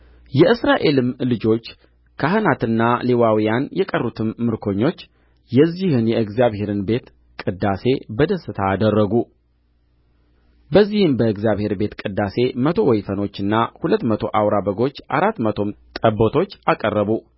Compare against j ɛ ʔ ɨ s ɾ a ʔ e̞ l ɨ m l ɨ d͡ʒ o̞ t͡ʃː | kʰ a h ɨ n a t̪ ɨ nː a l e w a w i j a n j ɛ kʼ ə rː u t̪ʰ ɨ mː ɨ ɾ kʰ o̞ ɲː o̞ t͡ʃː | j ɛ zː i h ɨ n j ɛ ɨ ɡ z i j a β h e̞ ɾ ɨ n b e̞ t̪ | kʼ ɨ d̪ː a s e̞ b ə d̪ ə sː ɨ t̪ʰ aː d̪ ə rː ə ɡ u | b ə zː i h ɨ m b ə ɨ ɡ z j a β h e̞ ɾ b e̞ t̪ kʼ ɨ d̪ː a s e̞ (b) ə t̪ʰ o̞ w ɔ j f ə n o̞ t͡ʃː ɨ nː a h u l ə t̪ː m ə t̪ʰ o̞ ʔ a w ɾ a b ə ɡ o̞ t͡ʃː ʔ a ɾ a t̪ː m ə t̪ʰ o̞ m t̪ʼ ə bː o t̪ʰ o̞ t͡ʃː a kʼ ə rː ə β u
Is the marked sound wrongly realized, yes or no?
yes